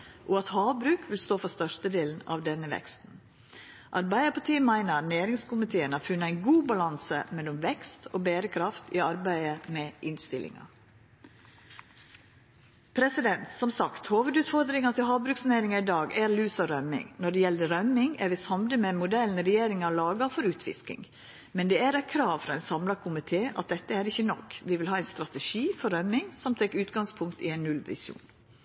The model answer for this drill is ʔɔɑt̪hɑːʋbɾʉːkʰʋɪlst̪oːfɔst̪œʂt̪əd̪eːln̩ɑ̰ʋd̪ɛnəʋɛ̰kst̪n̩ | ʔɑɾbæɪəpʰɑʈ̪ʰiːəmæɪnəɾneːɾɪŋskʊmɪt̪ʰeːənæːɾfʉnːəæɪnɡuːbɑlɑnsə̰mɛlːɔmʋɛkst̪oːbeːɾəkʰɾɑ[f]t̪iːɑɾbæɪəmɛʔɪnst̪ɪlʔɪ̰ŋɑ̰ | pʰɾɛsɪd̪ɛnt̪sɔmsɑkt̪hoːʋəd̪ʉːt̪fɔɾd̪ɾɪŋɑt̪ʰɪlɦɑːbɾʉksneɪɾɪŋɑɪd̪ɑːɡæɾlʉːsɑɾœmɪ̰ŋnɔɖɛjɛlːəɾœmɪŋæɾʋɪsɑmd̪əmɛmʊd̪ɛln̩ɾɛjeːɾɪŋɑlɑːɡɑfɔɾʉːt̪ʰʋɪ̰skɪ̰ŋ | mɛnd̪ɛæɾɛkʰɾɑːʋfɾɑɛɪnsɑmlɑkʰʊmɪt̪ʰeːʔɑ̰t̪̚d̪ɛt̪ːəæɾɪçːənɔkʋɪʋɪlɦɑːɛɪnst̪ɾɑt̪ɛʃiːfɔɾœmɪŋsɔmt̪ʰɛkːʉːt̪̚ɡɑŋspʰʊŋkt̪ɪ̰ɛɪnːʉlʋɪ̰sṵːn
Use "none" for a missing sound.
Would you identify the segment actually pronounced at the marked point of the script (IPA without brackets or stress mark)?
f